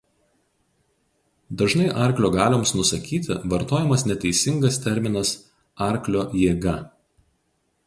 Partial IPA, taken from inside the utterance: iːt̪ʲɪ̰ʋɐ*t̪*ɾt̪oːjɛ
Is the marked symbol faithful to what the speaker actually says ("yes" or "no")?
no